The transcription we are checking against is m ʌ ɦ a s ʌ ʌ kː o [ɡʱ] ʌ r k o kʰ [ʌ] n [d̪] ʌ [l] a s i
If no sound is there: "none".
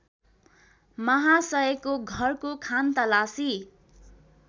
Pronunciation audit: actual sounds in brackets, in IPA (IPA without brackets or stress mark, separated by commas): ɡʱ, a, t̪, l